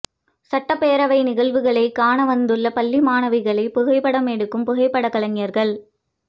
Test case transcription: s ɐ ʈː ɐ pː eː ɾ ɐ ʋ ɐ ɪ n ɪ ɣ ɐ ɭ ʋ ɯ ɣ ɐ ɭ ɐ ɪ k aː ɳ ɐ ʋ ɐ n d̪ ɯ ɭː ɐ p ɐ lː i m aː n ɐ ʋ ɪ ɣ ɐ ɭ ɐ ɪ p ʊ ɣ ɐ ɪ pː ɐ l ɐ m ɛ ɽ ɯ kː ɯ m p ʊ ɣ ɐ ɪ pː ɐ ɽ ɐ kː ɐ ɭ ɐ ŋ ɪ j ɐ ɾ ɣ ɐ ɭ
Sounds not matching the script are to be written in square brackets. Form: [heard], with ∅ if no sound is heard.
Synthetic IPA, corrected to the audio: s ɐ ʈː ɐ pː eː ɾ ɐ ʋ ɐ ɪ n ɪ ɣ ɐ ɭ ʋ ɯ ɣ ɐ ɭ ɐ ɪ k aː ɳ ɐ ʋ ɐ n d̪ ɯ ɭː ɐ p ɐ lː i m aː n ɐ ʋ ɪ ɣ ɐ ɭ ɐ ɪ p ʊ ɣ ɐ ɪ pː ɐ [ɽ] ɐ m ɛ ɽ ɯ kː ɯ m p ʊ ɣ ɐ ɪ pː ɐ ɽ ɐ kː ɐ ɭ ɐ ŋ ɪ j ɐ ɾ ɣ ɐ ɭ